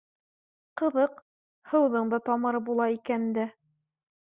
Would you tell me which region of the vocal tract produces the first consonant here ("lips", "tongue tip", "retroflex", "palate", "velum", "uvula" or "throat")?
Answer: uvula